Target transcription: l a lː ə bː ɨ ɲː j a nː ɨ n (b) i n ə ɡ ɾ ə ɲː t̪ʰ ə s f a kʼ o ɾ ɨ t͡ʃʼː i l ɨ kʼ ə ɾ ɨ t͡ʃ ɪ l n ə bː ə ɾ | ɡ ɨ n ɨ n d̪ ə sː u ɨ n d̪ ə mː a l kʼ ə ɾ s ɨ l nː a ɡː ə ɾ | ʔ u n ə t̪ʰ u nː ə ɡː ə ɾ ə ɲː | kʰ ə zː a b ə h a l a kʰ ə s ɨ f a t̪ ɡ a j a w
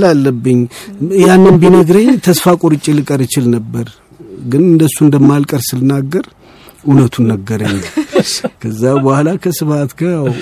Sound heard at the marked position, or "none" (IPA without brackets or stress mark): b